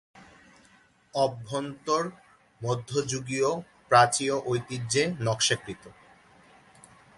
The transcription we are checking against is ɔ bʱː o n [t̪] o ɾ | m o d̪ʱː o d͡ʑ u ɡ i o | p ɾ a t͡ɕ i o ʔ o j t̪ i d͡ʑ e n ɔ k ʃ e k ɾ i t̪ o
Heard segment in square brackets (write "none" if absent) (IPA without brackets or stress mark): t̪